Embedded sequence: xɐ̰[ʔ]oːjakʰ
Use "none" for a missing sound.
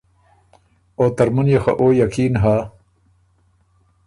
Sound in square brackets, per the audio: ʔ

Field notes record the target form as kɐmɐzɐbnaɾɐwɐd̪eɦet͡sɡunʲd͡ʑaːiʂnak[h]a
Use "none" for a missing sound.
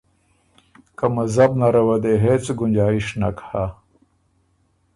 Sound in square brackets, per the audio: h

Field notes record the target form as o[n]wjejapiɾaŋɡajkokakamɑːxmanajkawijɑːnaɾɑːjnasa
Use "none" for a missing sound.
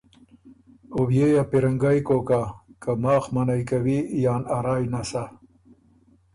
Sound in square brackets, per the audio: none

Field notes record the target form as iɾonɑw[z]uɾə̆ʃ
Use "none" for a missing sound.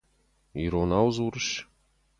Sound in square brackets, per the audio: z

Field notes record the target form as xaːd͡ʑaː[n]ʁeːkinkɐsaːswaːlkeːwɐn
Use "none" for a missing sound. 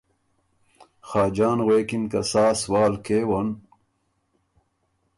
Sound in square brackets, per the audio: n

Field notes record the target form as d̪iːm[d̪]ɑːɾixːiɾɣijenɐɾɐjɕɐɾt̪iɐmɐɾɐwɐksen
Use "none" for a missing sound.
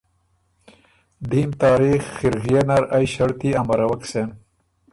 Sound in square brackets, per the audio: t̪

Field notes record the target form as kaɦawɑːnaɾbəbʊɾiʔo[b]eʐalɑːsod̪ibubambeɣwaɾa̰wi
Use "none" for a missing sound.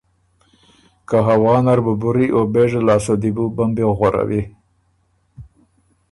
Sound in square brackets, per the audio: b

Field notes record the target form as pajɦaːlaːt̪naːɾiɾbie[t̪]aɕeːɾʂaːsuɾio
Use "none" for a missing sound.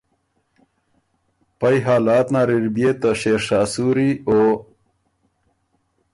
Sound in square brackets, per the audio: t̪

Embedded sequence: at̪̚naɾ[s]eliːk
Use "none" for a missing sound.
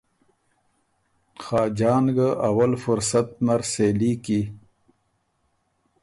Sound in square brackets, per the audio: s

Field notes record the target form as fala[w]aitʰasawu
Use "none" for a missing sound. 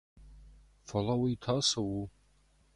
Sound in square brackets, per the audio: w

